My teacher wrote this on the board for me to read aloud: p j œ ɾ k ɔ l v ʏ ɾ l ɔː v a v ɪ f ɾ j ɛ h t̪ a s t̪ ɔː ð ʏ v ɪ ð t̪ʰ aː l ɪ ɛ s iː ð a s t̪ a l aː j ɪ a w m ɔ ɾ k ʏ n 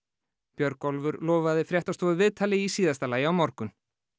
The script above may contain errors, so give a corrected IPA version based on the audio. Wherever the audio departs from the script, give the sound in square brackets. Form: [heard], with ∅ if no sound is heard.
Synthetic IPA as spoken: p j œ ɾ k ɔ l v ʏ ɾ l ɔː v a [ð] ɪ f ɾ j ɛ h t̪ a s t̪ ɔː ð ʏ v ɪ ð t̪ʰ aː l ɪ [i] s iː ð a s t̪ a l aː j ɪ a w m ɔ ɾ k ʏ n